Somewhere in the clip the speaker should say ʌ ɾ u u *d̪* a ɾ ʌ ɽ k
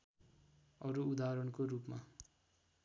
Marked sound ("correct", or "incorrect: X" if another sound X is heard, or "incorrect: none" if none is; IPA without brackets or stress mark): correct